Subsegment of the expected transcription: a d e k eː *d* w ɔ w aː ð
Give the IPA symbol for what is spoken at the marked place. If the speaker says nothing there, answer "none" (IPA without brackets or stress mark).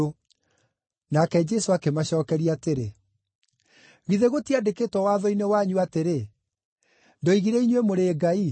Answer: t